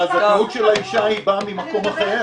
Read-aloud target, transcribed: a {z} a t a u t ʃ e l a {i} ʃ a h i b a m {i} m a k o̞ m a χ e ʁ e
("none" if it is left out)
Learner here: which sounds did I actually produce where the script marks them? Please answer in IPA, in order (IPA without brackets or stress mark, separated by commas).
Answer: z, i, i